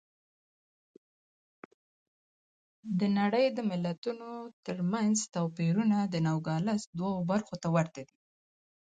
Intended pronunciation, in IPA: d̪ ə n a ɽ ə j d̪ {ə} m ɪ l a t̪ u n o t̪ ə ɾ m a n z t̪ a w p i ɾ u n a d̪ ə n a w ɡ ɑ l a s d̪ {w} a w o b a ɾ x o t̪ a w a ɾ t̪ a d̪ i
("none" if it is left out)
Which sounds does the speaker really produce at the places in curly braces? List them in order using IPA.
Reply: ə, w

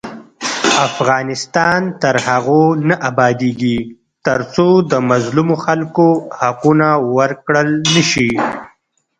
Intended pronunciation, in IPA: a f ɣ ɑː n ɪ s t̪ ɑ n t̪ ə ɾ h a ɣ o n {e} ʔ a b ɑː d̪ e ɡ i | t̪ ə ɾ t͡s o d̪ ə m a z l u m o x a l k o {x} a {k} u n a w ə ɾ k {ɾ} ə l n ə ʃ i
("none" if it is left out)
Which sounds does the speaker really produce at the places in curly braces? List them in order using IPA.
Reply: a, h, q, ɽ

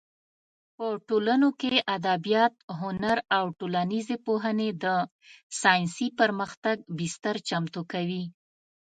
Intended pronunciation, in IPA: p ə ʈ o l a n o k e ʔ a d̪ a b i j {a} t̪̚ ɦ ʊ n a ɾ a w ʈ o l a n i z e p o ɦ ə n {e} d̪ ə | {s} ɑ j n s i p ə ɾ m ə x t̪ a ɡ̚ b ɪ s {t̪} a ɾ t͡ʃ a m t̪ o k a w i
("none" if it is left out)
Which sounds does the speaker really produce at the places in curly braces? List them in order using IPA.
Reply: ɑ, e, s, t̪

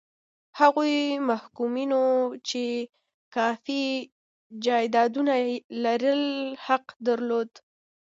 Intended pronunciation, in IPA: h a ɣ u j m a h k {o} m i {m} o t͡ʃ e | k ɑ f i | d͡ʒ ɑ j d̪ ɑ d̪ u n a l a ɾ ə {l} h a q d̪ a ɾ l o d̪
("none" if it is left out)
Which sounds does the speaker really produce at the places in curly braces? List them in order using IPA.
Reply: u, n, l

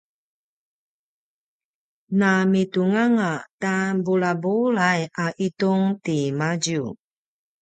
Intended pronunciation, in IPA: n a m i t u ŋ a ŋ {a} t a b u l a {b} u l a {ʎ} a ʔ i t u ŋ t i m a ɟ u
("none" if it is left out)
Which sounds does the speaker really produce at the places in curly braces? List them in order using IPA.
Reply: a, b, j

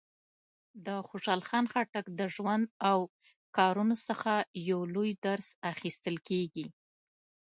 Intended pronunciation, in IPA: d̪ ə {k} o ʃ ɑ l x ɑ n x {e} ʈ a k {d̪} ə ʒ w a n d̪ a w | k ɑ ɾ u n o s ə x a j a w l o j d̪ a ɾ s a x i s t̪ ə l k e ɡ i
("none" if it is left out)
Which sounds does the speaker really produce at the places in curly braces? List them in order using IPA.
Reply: x, a, d̪

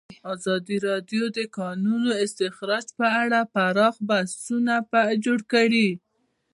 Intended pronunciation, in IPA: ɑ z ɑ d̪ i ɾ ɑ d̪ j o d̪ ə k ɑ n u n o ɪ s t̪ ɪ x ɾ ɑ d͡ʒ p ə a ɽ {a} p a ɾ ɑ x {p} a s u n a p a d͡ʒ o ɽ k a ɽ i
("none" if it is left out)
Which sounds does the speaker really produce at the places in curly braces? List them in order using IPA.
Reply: a, b

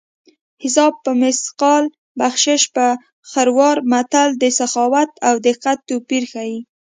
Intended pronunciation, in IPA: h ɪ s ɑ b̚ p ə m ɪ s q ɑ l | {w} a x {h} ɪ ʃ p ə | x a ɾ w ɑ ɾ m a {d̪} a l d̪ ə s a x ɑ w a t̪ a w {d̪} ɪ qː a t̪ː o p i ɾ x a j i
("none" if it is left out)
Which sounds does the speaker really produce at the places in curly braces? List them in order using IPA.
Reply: b, ʃ, t̪, d̪

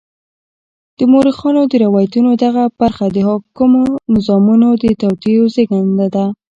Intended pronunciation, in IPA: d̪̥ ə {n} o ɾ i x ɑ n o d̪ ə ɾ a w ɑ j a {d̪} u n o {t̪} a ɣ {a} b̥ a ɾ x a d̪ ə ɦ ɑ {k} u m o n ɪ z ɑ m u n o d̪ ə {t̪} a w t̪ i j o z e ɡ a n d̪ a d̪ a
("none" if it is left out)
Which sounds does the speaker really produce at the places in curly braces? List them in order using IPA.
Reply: m, t̪, d̪, a, k, t̪

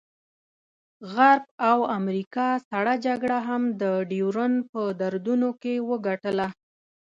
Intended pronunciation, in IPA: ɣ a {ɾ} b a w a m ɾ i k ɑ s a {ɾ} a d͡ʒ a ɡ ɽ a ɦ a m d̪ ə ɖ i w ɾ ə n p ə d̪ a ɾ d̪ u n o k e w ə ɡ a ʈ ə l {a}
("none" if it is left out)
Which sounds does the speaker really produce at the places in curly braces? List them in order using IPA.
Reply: ɾ, ɽ, a

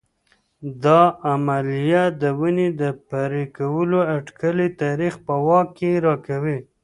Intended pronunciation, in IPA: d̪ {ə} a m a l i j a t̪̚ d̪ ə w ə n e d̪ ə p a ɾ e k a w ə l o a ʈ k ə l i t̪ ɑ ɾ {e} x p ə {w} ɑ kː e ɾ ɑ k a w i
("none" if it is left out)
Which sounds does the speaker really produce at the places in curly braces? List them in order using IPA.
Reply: ɑ, i, w

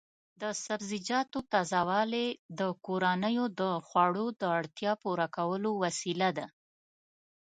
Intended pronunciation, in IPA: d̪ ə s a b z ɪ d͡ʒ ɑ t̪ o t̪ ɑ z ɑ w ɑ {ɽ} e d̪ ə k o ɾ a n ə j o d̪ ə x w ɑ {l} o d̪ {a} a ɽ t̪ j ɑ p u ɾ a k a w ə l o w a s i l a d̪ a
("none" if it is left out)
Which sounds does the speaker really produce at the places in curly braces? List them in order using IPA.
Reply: l, ɽ, ə

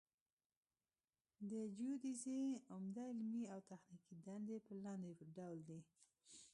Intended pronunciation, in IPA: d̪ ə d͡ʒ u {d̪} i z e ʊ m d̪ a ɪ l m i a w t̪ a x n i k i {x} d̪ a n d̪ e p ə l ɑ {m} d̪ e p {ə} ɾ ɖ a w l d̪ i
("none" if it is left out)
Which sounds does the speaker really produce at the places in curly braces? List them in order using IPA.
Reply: d̪, none, n, ə

